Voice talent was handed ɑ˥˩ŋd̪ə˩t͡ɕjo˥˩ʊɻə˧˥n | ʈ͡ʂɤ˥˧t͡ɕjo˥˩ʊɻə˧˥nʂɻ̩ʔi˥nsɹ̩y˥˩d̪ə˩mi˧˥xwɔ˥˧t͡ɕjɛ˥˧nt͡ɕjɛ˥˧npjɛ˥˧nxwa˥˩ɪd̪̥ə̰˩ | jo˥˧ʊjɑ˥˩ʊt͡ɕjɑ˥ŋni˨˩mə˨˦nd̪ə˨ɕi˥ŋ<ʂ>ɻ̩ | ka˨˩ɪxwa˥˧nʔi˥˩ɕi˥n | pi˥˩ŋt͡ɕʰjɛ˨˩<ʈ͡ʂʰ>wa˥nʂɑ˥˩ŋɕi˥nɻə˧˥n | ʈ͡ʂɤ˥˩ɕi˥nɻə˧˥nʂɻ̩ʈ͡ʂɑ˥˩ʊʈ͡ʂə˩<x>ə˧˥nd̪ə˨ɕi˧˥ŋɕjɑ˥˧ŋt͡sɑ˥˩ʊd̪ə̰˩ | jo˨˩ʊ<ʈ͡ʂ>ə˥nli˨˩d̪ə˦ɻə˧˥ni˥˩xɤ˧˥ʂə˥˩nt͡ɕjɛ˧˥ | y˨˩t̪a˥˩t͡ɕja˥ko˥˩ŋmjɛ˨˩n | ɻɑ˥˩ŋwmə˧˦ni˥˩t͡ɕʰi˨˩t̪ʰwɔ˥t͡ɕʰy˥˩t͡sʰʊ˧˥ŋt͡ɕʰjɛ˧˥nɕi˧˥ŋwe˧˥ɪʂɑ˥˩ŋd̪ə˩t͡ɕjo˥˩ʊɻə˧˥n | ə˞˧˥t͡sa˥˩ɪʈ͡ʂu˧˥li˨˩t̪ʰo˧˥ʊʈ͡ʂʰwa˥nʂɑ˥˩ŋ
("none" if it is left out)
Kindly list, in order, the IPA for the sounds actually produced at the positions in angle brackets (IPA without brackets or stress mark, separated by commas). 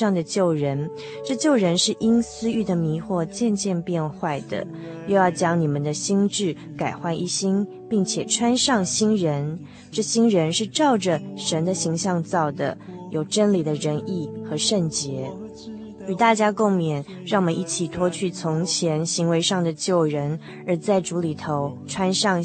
ʈ͡ʂ, ʈ͡ʂʰ, ʂ, ʈ͡ʂ